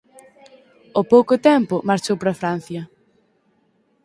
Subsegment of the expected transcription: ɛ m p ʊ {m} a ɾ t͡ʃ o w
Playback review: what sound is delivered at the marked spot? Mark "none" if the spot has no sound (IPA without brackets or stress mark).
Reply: m